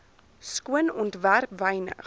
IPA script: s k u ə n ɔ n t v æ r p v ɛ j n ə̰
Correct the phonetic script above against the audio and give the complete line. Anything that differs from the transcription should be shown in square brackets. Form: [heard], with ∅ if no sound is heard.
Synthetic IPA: s k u ə n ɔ n t v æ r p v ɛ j n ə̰